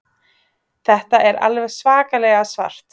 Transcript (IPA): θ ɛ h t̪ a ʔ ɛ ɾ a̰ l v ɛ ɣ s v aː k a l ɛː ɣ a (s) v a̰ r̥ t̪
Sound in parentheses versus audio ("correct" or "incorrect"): correct